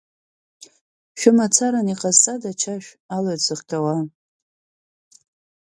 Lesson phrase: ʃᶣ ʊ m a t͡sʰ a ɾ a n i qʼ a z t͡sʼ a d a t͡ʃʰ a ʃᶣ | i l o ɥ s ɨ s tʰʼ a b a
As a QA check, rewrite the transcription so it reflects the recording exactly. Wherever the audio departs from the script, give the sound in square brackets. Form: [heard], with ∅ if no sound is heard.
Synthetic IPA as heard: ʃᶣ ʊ m a t͡sʰ a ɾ a n i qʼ a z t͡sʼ a d a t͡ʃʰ a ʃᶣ | [a] l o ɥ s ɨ [χ] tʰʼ a [w] a